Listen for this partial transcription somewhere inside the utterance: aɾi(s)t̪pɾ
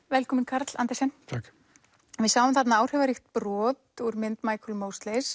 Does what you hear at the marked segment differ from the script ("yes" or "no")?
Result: yes